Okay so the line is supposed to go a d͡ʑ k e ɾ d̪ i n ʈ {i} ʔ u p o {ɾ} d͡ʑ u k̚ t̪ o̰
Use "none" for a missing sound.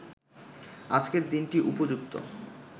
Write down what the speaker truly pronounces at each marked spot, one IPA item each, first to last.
i, none

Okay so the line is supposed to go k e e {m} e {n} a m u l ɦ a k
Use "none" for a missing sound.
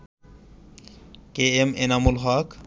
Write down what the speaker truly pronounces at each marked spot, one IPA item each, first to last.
m, n

